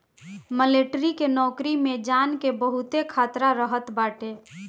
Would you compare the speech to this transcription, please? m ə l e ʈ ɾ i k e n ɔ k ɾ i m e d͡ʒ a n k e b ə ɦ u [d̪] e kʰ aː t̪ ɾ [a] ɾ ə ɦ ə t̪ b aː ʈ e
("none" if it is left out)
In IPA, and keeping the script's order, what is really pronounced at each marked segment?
t̪, a

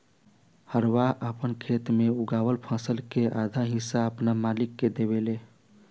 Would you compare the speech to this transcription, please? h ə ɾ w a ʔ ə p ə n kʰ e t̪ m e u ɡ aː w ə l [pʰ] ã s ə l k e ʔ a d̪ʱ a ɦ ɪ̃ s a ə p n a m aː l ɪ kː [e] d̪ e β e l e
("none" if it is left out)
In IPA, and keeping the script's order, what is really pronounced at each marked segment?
pʰ, e

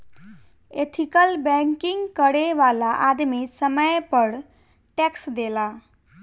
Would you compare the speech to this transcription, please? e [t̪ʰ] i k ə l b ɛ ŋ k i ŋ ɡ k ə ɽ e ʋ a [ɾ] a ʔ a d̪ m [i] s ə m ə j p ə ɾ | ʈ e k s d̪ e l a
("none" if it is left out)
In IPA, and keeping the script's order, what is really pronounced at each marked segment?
t̪ʰ, l, i

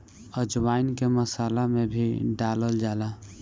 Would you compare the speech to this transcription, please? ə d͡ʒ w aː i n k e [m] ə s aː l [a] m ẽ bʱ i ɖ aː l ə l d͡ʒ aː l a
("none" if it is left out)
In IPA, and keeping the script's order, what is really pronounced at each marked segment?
m, a

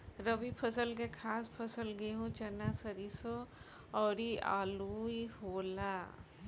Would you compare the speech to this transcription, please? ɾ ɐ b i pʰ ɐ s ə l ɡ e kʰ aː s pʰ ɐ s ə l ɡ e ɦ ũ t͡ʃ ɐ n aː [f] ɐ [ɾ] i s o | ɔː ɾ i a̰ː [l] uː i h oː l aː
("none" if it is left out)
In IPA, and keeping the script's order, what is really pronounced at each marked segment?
s, ɾ, l

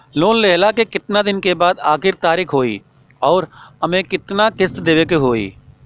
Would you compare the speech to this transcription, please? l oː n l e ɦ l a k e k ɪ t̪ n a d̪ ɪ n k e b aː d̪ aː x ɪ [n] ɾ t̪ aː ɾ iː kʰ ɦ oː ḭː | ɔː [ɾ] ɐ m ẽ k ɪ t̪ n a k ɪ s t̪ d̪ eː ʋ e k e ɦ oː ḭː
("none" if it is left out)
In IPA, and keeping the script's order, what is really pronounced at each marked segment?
none, ɾ

